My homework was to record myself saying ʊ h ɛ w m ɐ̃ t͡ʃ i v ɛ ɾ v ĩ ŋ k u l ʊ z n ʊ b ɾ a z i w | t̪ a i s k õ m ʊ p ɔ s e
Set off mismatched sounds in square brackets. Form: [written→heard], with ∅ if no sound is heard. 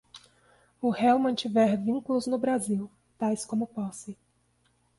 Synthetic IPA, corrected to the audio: ʊ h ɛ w m ɐ̃ t͡ʃ i v ɛ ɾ v ĩ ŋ k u l ʊ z n ʊ b ɾ a z i w | t̪ a [i→j] s k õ m ʊ p ɔ s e